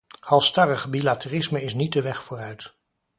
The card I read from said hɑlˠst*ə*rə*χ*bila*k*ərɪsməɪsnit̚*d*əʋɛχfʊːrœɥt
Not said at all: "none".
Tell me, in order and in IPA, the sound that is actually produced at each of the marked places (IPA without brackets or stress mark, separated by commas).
ɑ, χ, t, d